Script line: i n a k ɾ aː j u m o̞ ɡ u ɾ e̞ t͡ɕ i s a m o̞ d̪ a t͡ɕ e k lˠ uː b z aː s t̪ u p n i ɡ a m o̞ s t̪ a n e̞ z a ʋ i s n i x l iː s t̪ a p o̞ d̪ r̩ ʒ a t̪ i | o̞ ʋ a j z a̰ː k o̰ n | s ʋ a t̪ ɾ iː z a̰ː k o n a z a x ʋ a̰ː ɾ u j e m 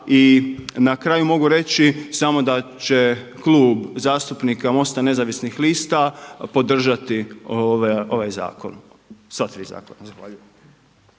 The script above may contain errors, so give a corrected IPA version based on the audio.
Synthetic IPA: i n a k ɾ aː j u m o̞ ɡ u ɾ e̞ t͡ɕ i s a m o̞ d̪ a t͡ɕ e k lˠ uː b z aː s t̪ u p n i k a m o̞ s t̪ a n e̞ z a ʋ i s n i x l iː s t̪ a p o̞ d̪ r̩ ʒ a t̪ i | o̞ ʋ a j z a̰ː k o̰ n | s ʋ a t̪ ɾ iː z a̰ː k o n a z a x ʋ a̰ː ʎ u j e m